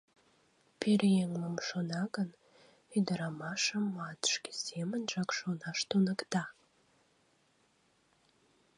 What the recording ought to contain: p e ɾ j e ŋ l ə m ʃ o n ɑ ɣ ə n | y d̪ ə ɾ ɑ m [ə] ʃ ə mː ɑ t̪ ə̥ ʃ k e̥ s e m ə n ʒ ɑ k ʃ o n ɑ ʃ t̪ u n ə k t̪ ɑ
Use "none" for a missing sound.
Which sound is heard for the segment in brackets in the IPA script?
ɑ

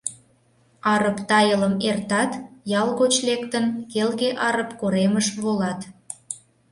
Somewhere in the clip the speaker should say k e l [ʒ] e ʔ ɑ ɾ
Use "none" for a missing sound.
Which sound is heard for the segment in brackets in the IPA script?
ɣ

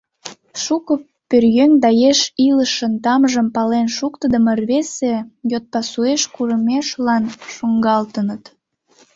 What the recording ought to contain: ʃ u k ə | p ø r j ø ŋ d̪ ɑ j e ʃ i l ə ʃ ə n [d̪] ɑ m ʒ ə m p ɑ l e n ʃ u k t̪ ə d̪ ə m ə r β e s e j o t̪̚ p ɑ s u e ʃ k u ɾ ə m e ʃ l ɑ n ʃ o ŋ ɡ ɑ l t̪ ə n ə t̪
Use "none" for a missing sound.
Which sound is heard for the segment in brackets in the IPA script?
t̪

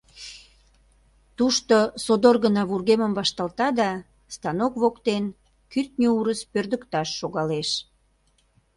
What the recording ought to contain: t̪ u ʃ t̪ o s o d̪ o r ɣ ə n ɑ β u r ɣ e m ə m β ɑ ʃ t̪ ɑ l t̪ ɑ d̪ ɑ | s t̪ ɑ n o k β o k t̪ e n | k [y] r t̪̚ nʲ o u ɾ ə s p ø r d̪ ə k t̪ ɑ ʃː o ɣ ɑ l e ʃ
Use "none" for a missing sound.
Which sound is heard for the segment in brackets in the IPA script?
y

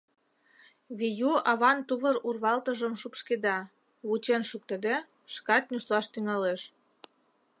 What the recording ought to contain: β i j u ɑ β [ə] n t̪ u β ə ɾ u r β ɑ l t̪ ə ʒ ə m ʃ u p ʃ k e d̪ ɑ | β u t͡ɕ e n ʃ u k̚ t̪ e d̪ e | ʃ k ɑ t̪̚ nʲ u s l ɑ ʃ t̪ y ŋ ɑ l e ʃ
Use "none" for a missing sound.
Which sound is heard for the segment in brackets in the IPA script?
ɑ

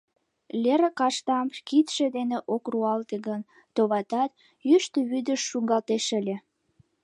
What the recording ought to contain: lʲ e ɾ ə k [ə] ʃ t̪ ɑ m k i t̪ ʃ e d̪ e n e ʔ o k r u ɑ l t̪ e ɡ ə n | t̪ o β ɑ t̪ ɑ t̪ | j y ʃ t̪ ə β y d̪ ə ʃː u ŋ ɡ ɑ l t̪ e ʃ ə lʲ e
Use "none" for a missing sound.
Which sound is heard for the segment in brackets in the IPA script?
ɑ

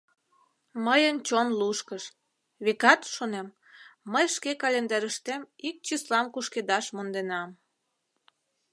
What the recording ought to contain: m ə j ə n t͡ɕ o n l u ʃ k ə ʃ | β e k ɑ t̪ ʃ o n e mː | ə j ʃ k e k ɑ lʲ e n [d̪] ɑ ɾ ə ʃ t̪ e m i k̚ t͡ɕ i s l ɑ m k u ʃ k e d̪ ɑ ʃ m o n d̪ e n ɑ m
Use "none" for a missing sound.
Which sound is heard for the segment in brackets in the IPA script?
d̪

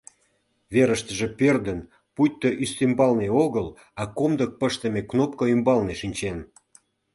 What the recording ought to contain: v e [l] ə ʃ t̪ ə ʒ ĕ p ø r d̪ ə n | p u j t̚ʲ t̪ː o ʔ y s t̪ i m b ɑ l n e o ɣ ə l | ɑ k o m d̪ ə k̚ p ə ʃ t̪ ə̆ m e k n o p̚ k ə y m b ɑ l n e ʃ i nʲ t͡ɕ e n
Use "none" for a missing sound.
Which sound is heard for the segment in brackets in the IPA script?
ɾ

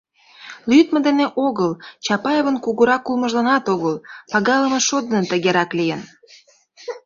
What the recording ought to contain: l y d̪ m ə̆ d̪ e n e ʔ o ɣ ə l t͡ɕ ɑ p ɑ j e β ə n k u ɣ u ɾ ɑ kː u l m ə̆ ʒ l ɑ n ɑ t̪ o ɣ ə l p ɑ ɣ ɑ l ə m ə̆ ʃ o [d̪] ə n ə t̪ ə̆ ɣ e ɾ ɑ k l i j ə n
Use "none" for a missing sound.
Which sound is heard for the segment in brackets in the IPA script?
d̪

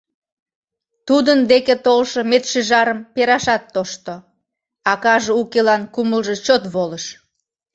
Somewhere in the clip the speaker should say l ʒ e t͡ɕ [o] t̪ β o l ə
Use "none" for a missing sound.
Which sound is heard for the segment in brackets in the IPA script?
o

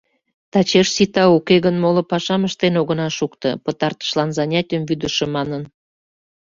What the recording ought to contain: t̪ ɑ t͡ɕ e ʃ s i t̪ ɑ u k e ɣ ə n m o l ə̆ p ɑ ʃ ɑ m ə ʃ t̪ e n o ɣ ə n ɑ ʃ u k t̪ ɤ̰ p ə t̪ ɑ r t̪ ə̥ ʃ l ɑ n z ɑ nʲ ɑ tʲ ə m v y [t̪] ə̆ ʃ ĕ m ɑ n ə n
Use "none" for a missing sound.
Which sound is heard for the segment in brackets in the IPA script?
d̪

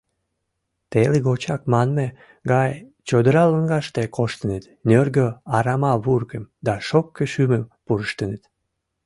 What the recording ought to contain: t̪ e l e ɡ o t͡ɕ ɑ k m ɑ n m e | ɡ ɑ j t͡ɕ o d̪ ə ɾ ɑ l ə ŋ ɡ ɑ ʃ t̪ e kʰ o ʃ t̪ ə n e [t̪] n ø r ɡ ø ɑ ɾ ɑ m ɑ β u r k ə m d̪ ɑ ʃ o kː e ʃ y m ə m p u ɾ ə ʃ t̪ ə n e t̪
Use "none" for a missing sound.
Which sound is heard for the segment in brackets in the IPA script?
t̪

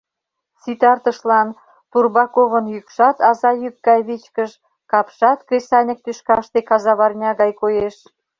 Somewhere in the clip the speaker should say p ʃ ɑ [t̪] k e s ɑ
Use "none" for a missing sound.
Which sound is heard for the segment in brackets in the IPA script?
t̪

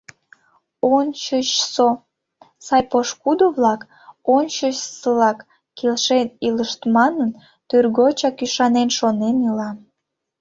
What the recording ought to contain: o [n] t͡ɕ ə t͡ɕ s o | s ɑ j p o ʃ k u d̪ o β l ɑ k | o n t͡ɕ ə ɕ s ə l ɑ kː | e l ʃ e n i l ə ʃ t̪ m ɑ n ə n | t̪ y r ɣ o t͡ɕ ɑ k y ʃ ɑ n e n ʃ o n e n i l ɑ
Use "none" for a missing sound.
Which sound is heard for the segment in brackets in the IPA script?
n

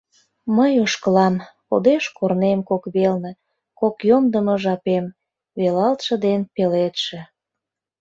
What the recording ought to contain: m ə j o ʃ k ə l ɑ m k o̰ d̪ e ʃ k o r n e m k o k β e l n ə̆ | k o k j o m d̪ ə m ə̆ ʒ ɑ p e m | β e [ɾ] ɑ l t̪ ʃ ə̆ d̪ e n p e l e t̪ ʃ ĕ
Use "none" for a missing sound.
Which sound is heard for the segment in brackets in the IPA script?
l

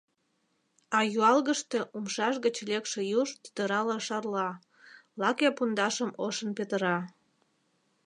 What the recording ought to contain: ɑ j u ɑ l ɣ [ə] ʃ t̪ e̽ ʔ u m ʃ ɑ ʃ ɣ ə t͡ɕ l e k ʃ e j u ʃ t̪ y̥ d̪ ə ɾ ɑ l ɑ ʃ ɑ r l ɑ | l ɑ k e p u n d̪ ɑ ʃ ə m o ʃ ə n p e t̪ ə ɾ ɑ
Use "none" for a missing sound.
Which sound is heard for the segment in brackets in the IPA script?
ə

